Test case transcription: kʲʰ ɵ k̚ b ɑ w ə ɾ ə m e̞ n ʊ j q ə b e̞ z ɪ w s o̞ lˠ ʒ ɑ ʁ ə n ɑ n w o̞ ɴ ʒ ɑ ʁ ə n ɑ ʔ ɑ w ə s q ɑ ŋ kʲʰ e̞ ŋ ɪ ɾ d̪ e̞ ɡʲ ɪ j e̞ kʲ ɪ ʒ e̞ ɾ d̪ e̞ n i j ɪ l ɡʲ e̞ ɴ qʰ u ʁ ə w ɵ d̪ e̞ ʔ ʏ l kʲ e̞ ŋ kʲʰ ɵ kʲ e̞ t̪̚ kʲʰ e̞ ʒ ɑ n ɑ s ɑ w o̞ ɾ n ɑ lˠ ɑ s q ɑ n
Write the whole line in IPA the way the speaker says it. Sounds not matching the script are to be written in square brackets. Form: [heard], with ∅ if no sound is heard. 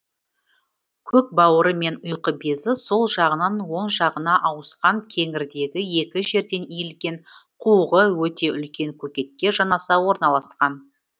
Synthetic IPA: kʲʰ ɵ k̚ b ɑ w ə ɾ ə m e̞ n ʊ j q ə b e̞ z ɪ [∅] s o̞ lˠ ʒ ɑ ʁ ə n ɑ n w o̞ ɴ ʒ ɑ ʁ ə n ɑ ʔ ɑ w ə s q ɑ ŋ kʲʰ e̞ ŋ ɪ ɾ d̪ e̞ ɡʲ ɪ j e̞ kʲ ɪ ʒ e̞ ɾ d̪ e̞ n i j ɪ l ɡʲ e̞ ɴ qʰ u ʁ ə w ɵ [t̪] e̞ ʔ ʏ l kʲ e̞ ŋ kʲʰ ɵ kʲ e̞ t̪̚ [kʲ] e̞ ʒ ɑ n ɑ s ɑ w o̞ ɾ n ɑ lˠ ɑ s q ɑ n

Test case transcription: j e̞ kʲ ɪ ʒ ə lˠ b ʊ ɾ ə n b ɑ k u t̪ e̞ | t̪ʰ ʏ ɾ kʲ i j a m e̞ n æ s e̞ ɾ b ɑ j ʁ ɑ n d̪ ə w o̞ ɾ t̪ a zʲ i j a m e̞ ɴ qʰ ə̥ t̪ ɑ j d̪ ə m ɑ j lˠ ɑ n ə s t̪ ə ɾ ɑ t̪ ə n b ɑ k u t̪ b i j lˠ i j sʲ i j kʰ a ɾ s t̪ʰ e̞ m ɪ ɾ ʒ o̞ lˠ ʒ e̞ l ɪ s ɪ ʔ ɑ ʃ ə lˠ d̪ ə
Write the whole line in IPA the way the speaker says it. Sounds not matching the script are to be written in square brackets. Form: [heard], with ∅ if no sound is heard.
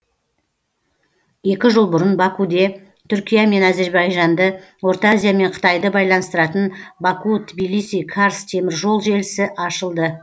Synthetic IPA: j e̞ kʲ ɪ ʒ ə lˠ b ʊ ɾ ə n b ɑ k u [d̪] e̞ | t̪ʰ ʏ ɾ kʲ i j a m e̞ n æ [z] e̞ ɾ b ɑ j [ʒ] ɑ n d̪ ə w o̞ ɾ t̪ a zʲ i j a m e̞ ɴ qʰ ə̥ t̪ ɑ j d̪ ə [b] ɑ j lˠ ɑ n ə s t̪ ə ɾ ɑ t̪ ə n b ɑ k u t̪ b i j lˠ i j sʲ i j kʰ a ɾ s t̪ʰ e̞ m ɪ ɾ ʒ o̞ lˠ ʒ e̞ l ɪ s ɪ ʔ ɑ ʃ ə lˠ d̪ ə

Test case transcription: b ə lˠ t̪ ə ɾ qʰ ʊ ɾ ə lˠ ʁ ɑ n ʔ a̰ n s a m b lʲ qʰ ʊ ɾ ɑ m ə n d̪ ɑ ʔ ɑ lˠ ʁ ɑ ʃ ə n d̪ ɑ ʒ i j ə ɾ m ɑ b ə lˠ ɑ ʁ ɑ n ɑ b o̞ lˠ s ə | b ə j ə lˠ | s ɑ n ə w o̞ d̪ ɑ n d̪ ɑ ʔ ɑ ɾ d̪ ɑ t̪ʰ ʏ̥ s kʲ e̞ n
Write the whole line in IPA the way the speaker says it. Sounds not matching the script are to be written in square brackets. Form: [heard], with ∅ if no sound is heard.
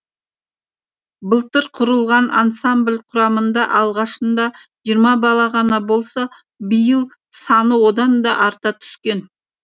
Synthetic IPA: b ə lˠ t̪ ə ɾ qʰ ʊ ɾ ə lˠ ʁ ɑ n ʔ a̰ n s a m b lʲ qʰ ʊ ɾ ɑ m ə n d̪ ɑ ʔ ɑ lˠ ʁ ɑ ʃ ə n d̪ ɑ ʒ i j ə ɾ m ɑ b [ɑ] lˠ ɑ ʁ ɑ n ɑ b o̞ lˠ s [ɑ] | b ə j ə lˠ | s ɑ n ə w o̞ d̪ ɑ n d̪ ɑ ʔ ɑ ɾ [t̪] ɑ t̪ʰ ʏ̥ s kʲ e̞ n

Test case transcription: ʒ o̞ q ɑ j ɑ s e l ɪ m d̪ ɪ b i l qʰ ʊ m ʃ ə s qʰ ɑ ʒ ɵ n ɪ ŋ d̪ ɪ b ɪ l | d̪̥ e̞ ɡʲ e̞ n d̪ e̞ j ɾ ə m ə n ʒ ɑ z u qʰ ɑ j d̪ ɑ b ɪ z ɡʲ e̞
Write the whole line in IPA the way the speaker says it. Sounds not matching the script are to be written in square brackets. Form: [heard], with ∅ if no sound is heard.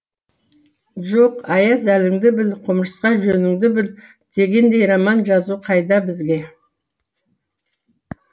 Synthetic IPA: ʒ o̞ q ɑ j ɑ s [æ] l ɪ [ŋ] d̪ ɪ b [ɪ] l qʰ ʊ m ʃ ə s [q] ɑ ʒ ɵ n ɪ ŋ d̪ ɪ b ɪ l | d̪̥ e̞ ɡʲ e̞ n d̪ e̞ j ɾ [ɑ] m [ɑ] n ʒ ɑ z u qʰ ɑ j d̪ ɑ b ɪ z ɡʲ e̞

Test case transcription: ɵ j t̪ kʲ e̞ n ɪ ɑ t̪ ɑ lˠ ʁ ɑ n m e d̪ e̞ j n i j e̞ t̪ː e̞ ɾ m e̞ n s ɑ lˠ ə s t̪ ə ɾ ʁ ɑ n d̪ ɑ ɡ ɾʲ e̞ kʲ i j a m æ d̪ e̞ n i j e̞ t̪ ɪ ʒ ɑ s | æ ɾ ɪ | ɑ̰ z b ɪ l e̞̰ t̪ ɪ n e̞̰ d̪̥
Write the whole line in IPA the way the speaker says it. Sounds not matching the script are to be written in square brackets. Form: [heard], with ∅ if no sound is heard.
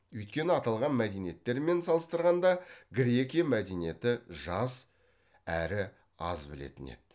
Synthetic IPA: ɵ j t̪ kʲ e̞ n ɪ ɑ t̪ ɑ lˠ ʁ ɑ n m [æ] d̪ e̞ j n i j e̞ t̪ː e̞ ɾ m e̞ n s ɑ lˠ ə s t̪ ə ɾ ʁ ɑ n d̪ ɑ ɡ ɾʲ e̞ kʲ i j a m æ d̪ e̞ n i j e̞ t̪ ɪ ʒ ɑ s | æ ɾ ɪ | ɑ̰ z b ɪ l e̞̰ t̪ ɪ n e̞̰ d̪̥

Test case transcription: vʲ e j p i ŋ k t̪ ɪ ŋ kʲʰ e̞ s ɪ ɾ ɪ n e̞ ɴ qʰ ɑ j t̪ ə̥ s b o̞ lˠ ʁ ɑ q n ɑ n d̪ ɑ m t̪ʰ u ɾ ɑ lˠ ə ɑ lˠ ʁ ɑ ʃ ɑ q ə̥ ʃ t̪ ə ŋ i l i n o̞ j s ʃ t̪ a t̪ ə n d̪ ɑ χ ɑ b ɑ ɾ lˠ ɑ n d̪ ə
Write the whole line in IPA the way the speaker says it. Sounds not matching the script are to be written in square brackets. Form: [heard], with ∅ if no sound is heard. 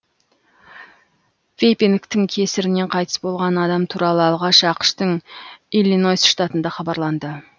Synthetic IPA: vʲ e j p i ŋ k t̪ ɪ ŋ kʲʰ e̞ s ɪ ɾ ɪ n e̞ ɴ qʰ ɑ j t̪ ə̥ s b o̞ lˠ ʁ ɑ [∅] n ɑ [∅] d̪ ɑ m t̪ʰ u ɾ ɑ lˠ ə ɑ lˠ ʁ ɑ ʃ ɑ q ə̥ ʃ t̪ ə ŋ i l i n o̞ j s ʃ t̪ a t̪ ə n d̪ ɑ χ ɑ b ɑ ɾ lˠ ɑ n d̪ ə

